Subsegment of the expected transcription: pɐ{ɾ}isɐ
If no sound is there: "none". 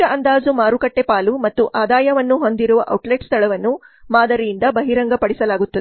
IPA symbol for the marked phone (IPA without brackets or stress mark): ɽ